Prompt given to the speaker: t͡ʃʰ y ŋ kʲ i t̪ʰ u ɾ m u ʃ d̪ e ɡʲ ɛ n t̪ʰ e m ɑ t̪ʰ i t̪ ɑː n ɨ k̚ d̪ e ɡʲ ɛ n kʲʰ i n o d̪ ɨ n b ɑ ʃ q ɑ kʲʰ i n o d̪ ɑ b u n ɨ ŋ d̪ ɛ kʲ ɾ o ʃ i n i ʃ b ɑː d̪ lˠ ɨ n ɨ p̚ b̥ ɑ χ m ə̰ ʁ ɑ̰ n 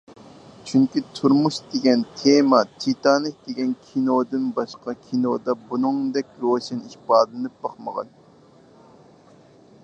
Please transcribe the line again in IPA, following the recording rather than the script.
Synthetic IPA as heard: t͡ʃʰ y ŋ kʲ i t̪ʰ u ɾ m u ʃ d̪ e ɡʲ ɛ n t̪ʰ e m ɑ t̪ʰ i t̪ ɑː n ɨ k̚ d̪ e ɡʲ ɛ n kʲʰ i n o d̪ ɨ n b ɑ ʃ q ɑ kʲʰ i n o d̪ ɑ b u n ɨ ŋ d̪ ɛ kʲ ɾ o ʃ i n i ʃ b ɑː d̪ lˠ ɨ n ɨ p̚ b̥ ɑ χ m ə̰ ʁ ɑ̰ n

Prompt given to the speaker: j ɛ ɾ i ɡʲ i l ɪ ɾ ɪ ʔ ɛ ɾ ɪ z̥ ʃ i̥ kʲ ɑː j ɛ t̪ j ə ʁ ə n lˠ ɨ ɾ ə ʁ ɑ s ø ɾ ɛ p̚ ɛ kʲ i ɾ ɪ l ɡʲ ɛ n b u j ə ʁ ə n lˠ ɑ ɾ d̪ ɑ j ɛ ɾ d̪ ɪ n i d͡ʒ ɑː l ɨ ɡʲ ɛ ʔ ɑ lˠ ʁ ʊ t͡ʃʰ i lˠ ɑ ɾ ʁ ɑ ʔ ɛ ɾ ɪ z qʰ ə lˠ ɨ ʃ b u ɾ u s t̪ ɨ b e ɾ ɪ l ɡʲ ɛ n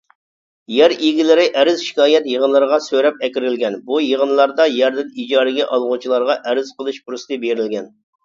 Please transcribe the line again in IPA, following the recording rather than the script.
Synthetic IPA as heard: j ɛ ɾ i ɡʲ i l ɪ ɾ ɪ ʔ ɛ ɾ ɪ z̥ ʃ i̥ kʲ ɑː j ɛ t̪ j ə ʁ ə n lˠ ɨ ɾ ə ʁ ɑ s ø ɾ ɛ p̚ ɛ kʲ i ɾ ɪ l ɡʲ ɛ n b u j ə ʁ ə n lˠ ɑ ɾ d̪ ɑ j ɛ ɾ d̪ ɪ n i d͡ʒ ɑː ɾ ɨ ɡʲ ɛ ʔ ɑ lˠ ʁ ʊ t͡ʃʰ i lˠ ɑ ɾ ʁ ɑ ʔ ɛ ɾ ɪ z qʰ ə lˠ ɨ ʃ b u ɾ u s t̪ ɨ b e ɾ ɪ l ɡʲ ɛ n

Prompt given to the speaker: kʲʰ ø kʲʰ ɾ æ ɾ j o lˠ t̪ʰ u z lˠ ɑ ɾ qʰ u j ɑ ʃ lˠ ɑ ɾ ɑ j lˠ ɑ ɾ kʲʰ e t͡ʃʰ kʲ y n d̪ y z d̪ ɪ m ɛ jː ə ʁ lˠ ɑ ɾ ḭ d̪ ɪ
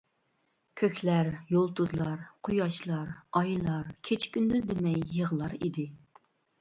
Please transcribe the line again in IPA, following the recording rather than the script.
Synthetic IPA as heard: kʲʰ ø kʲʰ l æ ɾ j o lˠ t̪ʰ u z lˠ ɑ ɾ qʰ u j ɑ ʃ lˠ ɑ ɾ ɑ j lˠ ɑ ɾ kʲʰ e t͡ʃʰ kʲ y n d̪ y z d̪ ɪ m ɛ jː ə ʁ lˠ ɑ ɾ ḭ d̪ ɪ

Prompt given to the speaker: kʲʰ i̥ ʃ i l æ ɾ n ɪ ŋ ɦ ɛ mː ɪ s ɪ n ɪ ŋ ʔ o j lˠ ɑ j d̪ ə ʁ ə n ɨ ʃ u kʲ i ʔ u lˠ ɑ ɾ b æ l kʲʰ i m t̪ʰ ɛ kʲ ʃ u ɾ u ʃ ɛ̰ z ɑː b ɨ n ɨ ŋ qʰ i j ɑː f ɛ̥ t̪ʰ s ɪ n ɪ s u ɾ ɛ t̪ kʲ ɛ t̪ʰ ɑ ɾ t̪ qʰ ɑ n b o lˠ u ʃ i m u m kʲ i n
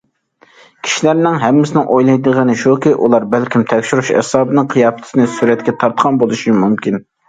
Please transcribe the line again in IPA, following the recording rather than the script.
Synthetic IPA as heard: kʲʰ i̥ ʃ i l æ ɾ n ɪ ŋ ɦ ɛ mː ɪ s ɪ n ɪ ŋ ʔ o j lˠ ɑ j d̪ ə ʁ ə n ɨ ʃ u kʲ i ʔ u lˠ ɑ ɾ b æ l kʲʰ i m t̪ʰ ɛ kʲ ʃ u ɾ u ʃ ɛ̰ s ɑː b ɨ n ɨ ŋ qʰ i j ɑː f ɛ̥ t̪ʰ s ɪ n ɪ s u ɾ ɛ t̪ kʲ ɛ t̪ʰ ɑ ɾ t̪ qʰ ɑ n b o lˠ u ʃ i m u m kʲ i n

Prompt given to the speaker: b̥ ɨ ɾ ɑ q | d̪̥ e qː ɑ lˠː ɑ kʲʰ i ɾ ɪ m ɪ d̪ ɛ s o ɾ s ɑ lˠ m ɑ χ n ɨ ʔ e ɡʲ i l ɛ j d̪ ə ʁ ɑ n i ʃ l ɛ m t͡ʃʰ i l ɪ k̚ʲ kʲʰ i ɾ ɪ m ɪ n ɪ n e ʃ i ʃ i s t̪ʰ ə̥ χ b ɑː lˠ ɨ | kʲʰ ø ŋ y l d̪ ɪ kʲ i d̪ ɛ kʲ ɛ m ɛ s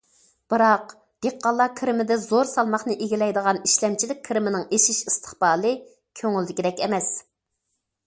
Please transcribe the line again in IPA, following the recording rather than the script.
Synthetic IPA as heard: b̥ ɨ ɾ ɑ q | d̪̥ e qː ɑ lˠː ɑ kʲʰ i ɾ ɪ m ɪ d̪ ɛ z o ɾ s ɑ lˠ m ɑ χ n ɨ ʔ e ɡʲ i l ɛ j d̪ ə ʁ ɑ n i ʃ l ɛ m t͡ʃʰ i l ɪ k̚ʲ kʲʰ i ɾ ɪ m ɪ n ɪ ŋ e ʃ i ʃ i s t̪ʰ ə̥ χ b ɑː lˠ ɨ | kʲʰ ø ŋ y l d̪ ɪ kʲ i d̪ ɛ kʲ ɛ m ɛ s

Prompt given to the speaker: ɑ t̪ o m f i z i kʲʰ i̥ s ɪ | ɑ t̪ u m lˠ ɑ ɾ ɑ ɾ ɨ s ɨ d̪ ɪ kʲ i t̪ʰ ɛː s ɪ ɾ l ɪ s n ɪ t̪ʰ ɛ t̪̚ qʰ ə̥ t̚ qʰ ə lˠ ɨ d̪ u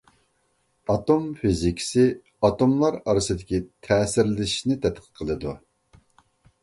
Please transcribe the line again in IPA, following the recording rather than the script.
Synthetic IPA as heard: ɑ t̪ o m f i z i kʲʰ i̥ s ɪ | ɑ t̪ o m lˠ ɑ ɾ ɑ ɾ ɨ s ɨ d̪ ɪ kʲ i t̪ʰ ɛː s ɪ ɾ l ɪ ʃ n ɪ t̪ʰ ɛ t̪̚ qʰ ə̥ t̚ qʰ ə lˠ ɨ d̪ u

